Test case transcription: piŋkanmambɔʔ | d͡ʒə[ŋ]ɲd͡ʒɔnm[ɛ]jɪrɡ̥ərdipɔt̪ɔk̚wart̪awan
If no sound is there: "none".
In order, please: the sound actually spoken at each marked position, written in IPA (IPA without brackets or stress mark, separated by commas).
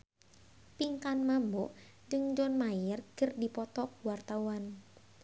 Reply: ŋ, a